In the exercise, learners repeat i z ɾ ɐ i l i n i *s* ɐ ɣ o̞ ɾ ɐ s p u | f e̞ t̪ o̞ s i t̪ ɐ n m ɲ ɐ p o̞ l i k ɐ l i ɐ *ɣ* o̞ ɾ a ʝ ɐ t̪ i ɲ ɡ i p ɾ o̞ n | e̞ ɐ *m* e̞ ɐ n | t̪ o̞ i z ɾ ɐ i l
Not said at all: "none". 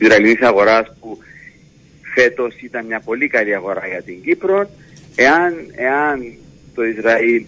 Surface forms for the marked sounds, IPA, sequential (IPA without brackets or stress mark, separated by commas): s, ɣ, n